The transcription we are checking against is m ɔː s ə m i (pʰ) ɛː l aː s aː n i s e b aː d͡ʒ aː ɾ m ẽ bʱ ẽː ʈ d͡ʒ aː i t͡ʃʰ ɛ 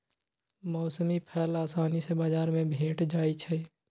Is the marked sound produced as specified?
yes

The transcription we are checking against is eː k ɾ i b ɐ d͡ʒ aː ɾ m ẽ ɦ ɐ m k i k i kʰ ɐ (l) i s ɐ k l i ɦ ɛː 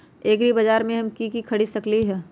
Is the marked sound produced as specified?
no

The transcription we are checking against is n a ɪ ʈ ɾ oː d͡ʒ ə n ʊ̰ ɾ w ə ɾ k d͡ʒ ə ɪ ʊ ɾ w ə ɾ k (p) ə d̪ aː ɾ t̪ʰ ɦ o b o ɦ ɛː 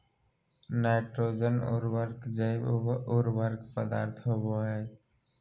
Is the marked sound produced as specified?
yes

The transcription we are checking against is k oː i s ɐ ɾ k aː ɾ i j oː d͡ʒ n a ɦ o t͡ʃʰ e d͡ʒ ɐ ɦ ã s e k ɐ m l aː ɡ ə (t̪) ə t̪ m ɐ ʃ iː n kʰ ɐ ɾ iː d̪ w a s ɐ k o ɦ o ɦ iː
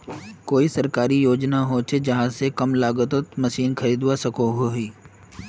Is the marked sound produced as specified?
yes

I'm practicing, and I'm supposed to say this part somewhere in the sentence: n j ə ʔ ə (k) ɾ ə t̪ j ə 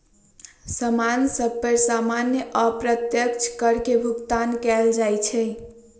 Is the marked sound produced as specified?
no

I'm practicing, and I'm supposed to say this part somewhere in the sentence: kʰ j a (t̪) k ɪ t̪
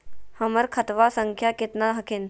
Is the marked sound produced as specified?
no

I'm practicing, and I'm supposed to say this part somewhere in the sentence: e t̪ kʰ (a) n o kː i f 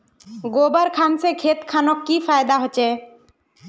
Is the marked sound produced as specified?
yes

